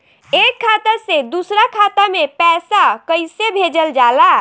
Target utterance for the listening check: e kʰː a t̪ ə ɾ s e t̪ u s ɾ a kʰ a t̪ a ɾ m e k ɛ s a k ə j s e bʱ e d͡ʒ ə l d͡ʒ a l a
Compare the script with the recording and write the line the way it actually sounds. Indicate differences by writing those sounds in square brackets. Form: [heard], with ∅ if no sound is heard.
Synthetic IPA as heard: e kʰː a t̪ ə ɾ s e [d̪] u s ɾ a kʰ a t̪ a [∅] m e [p] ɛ s a k ə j s e bʱ e d͡ʒ ə l d͡ʒ a l a